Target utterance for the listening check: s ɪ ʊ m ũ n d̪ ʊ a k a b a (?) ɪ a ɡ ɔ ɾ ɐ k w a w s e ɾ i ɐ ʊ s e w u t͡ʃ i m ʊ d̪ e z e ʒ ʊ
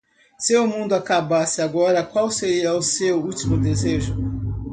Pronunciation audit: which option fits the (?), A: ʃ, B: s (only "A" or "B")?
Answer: B